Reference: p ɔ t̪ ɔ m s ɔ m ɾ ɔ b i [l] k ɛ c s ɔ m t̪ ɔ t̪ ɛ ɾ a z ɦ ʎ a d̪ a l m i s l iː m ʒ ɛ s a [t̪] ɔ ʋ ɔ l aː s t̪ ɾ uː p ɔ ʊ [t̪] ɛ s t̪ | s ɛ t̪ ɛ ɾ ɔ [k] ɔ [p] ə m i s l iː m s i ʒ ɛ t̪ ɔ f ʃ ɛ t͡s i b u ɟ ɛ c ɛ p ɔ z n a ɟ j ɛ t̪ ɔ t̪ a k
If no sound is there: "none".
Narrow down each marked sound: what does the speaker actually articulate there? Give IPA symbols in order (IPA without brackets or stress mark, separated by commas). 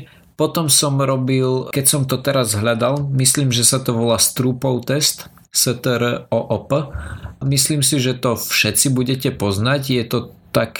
l, t̪, t̪, ʔ, p